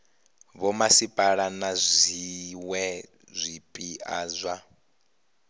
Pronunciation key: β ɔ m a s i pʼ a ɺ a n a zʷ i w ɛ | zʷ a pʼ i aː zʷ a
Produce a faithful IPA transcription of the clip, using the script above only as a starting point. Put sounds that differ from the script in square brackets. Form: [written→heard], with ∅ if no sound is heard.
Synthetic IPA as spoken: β ɔ m a s i pʼ a ɺ a n a zʷ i w ɛ | zʷ [a→i] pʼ i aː zʷ a